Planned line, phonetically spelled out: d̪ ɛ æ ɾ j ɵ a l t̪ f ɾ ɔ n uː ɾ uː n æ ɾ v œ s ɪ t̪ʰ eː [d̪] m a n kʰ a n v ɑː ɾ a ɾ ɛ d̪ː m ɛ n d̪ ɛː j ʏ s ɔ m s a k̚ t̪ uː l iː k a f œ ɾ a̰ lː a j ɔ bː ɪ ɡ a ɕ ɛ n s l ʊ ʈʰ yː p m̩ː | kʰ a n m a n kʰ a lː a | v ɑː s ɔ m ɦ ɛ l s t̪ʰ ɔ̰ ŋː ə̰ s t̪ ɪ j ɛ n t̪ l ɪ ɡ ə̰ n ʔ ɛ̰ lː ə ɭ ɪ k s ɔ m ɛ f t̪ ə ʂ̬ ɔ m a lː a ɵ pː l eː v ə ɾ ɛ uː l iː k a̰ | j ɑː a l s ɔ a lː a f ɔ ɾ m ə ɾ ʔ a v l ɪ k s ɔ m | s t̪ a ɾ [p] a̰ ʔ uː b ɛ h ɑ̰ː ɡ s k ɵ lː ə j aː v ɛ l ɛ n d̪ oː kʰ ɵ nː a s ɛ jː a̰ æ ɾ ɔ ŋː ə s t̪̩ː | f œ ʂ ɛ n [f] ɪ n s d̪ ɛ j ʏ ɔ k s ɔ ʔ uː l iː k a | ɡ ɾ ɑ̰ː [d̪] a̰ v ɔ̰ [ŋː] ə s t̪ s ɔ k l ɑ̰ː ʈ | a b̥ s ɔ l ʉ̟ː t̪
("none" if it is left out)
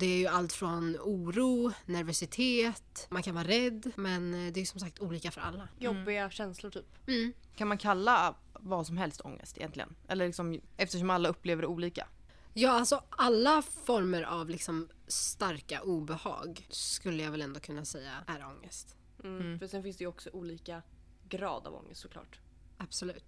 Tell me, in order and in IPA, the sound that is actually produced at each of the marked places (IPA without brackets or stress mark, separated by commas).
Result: t̪, k, f, d̪, ŋː